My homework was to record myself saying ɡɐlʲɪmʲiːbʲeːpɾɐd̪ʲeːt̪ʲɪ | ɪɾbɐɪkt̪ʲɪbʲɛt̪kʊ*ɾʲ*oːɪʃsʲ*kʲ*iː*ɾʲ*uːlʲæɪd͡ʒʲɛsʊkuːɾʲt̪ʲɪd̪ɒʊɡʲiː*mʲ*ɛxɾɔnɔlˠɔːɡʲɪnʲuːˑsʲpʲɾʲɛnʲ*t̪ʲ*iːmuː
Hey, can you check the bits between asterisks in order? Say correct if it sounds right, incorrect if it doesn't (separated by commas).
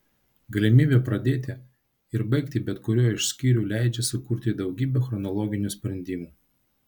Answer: correct, correct, correct, incorrect, incorrect